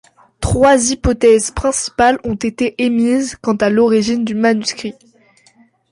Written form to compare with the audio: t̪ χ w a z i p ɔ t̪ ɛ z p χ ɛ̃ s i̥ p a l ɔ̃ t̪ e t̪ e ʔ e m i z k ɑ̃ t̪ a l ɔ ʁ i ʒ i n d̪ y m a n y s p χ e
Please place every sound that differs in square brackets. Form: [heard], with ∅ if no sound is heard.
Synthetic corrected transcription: t̪ χ w a z i p ɔ t̪ ɛ z p χ ɛ̃ s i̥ p a l ɔ̃ t̪ e t̪ e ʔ e m i z k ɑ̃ t̪ a l ɔ ʁ i ʒ i n d̪ y m a n y s [k] χ [i]